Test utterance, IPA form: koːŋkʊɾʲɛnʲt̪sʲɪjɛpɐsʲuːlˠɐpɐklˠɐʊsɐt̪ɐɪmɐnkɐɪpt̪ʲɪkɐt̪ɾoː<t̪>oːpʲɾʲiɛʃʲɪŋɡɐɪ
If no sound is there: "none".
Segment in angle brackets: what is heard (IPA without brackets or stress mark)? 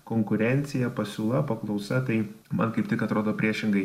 d̪